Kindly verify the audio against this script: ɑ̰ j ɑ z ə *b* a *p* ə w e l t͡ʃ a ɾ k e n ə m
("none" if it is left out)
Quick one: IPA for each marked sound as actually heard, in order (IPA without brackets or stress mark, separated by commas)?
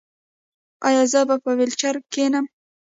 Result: b, p